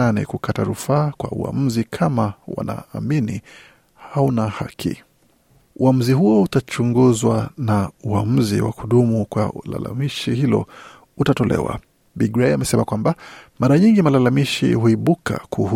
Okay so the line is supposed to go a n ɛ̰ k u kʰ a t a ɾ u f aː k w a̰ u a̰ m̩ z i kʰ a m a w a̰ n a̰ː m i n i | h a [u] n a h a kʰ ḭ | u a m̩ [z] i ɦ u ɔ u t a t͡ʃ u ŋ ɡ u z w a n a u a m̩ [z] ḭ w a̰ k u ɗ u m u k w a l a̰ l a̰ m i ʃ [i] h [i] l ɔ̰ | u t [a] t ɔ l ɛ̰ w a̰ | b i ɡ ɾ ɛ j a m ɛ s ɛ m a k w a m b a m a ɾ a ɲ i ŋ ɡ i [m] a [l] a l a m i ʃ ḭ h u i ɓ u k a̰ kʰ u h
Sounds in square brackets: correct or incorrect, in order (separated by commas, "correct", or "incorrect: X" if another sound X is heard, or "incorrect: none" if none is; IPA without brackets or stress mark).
correct, correct, correct, correct, correct, correct, correct, correct